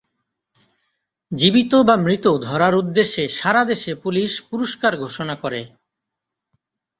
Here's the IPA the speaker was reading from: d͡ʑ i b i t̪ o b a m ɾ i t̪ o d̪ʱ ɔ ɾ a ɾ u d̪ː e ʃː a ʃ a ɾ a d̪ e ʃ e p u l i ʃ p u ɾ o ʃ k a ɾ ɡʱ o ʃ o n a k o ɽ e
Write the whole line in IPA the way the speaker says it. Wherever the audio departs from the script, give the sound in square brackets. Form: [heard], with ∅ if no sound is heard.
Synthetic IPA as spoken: d͡ʑ i b i t̪ o b a m ɾ i t̪ o d̪ʱ ɔ ɾ a ɾ u d̪ː e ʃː [e] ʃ a ɾ a d̪ e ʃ e p u l i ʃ p u ɾ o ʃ k a ɾ ɡʱ o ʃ o n a k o [ɾ] e